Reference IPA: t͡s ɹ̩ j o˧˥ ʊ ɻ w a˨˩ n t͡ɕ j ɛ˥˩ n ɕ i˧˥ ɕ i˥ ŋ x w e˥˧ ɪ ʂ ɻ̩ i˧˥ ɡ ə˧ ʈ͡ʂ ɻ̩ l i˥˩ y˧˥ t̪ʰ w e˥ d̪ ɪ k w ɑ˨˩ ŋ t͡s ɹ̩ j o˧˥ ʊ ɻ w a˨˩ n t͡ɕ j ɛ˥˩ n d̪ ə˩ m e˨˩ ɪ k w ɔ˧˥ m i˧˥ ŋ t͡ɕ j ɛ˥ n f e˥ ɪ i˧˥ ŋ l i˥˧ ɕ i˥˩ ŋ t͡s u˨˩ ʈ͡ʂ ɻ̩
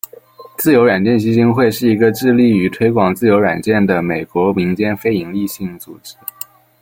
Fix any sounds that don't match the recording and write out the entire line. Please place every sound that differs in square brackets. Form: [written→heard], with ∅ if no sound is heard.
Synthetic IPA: t͡s ɹ̩ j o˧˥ ʊ ɻ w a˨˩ n t͡ɕ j ɛ˥˩ n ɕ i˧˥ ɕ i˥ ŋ x w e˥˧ ɪ ʂ ɻ̩ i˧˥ ɡ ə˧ ʈ͡ʂ ɻ̩ l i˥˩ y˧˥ t̪ʰ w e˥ [d̪→∅] ɪ k w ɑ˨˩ ŋ t͡s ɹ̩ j o˧˥ ʊ ɻ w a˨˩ n t͡ɕ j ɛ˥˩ n d̪ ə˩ m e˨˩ ɪ k w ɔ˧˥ m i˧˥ ŋ t͡ɕ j ɛ˥ n f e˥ ɪ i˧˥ ŋ l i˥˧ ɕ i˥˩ ŋ t͡s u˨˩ ʈ͡ʂ ɻ̩